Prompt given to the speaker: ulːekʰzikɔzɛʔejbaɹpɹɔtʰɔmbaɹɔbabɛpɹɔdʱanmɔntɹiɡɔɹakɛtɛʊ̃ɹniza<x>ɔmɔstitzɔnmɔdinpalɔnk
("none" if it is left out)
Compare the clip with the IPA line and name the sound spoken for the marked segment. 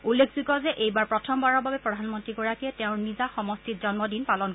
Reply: x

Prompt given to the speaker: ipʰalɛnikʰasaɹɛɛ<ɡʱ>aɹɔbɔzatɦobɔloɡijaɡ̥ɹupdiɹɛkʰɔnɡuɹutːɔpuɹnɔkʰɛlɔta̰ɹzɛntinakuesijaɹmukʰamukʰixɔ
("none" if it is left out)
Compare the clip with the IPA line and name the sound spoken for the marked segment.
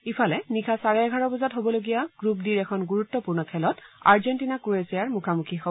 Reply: ɡʱ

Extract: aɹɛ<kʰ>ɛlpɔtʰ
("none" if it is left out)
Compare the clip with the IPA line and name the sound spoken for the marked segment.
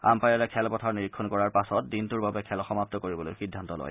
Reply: kʰ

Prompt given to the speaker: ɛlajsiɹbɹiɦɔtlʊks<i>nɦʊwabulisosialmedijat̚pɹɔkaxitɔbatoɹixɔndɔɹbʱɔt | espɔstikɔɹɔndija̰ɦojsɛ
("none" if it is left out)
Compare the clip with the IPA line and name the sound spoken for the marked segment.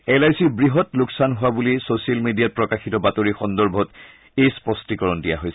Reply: a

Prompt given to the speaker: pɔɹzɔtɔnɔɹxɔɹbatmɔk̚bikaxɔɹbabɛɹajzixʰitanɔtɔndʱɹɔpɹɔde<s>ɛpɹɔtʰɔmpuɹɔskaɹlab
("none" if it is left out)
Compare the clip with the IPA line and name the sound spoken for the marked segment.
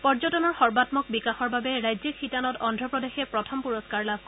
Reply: x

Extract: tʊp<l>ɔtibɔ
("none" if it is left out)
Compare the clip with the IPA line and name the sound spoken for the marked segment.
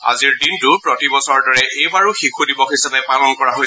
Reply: ɹ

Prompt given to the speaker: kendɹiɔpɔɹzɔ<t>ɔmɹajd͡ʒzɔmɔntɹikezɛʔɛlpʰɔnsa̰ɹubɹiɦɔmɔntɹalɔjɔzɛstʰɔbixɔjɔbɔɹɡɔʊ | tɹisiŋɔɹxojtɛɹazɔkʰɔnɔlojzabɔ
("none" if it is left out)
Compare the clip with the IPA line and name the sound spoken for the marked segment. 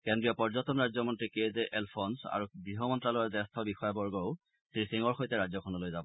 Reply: t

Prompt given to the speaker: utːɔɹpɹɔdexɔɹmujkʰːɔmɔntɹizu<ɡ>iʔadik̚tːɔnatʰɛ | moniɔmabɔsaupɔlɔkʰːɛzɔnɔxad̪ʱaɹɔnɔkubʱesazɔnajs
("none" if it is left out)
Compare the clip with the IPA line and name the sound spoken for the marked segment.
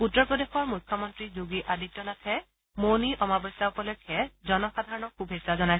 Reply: ɡ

